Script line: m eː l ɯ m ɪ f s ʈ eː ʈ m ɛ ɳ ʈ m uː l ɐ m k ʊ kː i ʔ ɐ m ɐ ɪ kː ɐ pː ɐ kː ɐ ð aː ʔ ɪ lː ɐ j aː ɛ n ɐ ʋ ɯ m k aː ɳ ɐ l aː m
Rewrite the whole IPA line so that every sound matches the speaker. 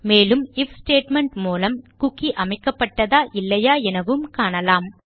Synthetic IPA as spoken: m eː l ɯ m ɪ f s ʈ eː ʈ m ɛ ɳ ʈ m uː l ɐ m k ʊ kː i ʔ ɐ m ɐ ɪ kː ɐ pː ɐ ʈː ɐ ð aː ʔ ɪ lː ɐ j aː ɛ n ɐ ʋ ɯ m k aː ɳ ɐ l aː m